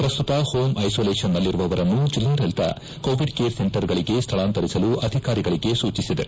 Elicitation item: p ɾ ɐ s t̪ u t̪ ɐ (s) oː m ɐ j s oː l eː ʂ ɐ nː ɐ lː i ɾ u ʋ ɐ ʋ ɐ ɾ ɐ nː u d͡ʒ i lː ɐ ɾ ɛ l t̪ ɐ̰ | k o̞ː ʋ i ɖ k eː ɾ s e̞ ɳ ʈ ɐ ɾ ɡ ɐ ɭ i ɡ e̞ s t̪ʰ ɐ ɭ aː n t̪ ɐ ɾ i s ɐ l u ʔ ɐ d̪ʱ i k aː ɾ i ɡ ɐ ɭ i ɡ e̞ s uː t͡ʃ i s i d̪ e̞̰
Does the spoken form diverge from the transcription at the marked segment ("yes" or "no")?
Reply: yes